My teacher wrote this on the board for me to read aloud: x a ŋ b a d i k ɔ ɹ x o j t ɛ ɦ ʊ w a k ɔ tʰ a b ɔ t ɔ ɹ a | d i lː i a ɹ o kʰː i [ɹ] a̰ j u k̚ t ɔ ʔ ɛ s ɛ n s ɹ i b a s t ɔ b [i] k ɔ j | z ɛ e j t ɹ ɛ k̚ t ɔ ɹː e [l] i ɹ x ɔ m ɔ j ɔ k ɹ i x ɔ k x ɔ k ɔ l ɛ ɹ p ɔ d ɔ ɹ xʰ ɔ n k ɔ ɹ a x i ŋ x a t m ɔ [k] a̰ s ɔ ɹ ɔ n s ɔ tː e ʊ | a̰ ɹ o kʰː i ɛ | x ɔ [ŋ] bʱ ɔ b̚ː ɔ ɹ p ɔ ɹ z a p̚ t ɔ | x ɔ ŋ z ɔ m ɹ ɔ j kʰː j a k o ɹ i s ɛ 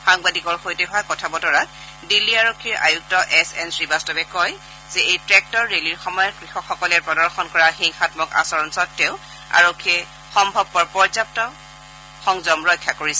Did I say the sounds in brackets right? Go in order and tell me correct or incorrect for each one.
correct, incorrect: ɛ, correct, correct, incorrect: m

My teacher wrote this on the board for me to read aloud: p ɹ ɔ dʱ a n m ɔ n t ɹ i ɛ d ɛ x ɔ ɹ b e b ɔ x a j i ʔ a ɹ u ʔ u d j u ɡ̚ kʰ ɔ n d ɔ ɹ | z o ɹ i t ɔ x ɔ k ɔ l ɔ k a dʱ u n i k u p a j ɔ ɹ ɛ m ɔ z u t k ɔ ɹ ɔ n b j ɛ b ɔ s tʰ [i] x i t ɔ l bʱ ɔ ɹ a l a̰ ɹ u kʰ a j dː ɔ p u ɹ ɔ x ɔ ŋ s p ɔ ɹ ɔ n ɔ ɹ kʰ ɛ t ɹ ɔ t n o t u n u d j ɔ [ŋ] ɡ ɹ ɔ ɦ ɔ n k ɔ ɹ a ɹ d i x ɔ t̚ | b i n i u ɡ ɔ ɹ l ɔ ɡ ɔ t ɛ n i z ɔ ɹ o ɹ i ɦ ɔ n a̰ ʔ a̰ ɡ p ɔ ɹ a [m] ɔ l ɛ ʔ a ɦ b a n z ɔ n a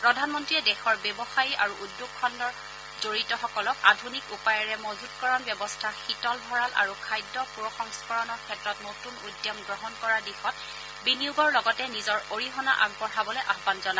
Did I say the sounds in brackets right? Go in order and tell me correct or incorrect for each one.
incorrect: a, incorrect: m, incorrect: b

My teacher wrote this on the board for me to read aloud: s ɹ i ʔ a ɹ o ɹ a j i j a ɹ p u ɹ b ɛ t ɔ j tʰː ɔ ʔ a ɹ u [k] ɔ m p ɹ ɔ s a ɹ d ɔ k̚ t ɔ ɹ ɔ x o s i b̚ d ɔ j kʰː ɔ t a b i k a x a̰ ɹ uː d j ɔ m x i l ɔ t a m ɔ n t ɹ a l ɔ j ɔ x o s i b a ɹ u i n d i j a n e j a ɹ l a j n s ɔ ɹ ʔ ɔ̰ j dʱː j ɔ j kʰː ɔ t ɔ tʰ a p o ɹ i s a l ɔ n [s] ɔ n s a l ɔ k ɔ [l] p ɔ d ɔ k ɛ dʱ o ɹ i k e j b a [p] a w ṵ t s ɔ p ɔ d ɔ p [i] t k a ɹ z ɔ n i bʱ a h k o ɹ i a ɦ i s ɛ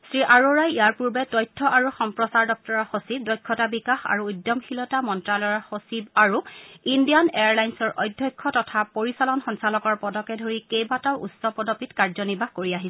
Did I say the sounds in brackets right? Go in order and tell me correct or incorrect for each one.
incorrect: x, incorrect: x, incorrect: ɹ, incorrect: t, correct

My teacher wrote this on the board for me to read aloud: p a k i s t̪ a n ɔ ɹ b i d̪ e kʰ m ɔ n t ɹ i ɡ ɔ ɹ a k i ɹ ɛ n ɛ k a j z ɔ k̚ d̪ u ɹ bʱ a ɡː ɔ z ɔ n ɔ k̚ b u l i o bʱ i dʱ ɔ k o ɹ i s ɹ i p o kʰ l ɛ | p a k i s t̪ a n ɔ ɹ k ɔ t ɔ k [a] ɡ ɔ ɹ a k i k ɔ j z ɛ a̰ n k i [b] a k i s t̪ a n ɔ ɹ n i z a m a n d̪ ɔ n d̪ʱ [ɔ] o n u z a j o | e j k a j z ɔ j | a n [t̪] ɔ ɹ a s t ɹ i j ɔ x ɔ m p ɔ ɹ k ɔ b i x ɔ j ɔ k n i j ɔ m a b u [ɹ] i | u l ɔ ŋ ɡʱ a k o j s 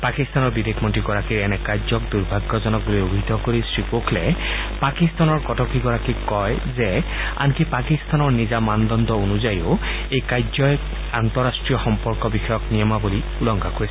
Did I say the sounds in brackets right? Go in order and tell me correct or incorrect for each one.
incorrect: i, incorrect: p, correct, correct, incorrect: l

